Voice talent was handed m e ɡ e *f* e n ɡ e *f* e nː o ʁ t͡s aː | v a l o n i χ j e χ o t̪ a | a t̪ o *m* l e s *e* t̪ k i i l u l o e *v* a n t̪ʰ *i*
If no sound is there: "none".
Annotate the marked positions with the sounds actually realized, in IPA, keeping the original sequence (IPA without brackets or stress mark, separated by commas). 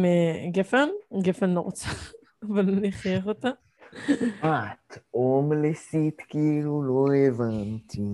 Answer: f, f, m, i, v, i